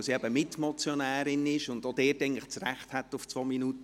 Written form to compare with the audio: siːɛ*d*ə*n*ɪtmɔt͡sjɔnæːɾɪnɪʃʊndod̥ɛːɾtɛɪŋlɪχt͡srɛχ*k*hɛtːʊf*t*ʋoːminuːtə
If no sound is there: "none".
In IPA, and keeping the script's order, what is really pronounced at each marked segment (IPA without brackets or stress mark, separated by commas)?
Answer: b, m, t, t͡s